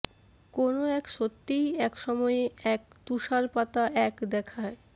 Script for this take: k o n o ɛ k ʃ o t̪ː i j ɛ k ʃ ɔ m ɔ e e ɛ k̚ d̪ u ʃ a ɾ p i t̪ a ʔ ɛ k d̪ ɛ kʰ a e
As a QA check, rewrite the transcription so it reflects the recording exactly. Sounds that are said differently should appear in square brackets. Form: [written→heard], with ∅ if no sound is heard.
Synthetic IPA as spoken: k o n o ɛ k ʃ o t̪ː i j ɛ k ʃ ɔ m ɔ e e ɛ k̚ [d̪→t̪] u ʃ a ɾ p [i→a] t̪ a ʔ ɛ k d̪ ɛ kʰ a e